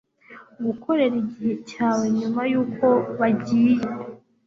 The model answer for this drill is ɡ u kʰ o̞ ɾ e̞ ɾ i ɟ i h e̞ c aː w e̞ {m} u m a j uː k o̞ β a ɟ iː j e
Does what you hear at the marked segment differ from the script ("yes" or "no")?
yes